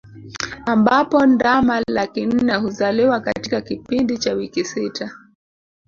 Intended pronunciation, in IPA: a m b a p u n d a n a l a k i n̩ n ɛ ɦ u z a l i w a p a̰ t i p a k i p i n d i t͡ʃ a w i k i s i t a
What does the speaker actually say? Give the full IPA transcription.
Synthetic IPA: a m b a p ɔ n d a m a l a k i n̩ n ɛ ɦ u z a l i w a k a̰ t i k a k i p i n d i t͡ʃ a w i k i s i t a